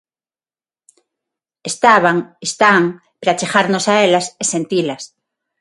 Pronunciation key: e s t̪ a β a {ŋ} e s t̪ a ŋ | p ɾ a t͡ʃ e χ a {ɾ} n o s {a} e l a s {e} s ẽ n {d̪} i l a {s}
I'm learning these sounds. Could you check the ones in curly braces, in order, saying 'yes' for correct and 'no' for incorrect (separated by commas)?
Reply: yes, yes, yes, yes, no, yes